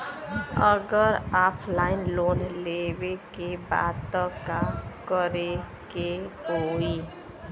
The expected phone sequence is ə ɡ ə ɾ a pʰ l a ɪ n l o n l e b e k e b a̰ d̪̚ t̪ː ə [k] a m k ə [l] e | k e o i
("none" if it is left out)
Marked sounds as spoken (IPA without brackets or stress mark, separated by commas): k, ɾ